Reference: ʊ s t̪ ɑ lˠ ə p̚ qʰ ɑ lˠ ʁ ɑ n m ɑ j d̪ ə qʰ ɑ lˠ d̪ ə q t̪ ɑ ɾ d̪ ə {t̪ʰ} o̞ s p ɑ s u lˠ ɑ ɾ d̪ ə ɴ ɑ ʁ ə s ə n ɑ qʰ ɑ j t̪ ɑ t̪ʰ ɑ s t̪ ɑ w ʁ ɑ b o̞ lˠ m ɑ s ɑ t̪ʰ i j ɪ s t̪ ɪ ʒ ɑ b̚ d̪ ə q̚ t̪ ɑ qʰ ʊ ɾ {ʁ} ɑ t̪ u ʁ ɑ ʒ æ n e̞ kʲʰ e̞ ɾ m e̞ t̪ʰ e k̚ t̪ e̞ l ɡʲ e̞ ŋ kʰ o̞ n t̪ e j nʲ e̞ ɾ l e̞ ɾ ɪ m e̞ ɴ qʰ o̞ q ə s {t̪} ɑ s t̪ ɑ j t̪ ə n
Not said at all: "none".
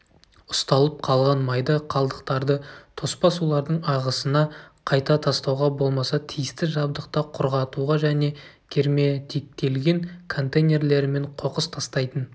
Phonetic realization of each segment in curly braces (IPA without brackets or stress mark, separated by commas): t̪ʰ, ʁ, t̪ʰ